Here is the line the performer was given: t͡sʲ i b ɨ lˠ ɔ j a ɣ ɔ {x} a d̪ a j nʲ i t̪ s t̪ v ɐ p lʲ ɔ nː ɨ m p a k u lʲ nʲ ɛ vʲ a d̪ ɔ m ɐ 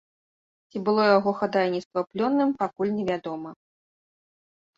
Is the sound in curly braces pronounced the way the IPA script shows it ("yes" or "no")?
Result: yes